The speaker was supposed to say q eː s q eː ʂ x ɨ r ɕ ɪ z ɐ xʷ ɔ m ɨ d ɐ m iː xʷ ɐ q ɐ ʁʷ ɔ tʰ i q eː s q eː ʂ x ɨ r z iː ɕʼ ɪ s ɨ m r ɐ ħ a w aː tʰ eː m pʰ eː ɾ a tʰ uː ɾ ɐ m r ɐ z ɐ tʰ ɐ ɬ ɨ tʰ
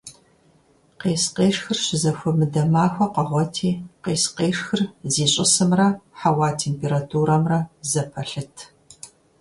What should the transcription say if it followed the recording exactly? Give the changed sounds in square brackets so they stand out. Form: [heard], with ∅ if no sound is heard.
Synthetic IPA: q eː s q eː ʂ x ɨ r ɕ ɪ z ɐ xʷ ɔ m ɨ d ɐ m [aː] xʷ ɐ q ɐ ʁʷ ɔ tʰ [iː] q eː s q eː ʂ x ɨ r z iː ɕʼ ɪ s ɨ m r ɐ ħ a w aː tʰ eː m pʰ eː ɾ a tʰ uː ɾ ɐ m r ɐ z ɐ [pʰ] ɐ ɬ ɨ tʰ